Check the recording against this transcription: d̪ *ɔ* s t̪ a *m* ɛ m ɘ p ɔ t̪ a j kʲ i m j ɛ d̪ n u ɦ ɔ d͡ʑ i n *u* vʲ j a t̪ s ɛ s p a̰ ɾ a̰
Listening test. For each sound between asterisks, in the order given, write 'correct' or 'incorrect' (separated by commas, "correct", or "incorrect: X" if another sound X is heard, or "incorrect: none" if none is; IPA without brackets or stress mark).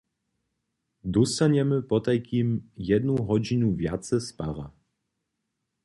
correct, incorrect: ɲ, correct